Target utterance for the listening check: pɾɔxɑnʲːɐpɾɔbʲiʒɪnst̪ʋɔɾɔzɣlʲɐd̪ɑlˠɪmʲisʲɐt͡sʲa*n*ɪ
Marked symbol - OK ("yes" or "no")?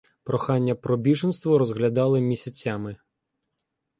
no